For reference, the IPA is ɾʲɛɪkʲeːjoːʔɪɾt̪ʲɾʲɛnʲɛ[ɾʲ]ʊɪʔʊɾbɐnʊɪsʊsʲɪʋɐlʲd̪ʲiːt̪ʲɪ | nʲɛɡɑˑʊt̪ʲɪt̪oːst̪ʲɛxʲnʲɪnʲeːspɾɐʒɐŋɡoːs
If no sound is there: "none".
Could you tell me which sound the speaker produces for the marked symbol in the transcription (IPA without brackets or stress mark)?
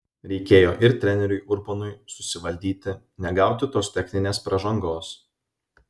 ɾʲ